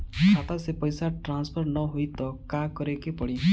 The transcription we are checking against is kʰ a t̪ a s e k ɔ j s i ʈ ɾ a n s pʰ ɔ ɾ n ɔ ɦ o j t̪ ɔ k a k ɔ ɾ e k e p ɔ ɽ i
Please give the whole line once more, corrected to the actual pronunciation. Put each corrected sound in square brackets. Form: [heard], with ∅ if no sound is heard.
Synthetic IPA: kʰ a t̪ a s e [p] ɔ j s [a] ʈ ɾ a n s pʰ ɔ ɾ n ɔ ɦ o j t̪ ɔ k a k ɔ ɾ e k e p ɔ ɽ i